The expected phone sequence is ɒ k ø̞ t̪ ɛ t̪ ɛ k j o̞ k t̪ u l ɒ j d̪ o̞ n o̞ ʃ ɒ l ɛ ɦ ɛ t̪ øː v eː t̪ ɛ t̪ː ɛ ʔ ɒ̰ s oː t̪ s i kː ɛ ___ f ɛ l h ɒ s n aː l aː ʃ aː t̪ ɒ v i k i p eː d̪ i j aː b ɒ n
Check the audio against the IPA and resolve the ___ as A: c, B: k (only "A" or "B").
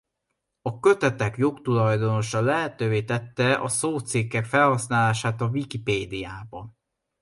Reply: B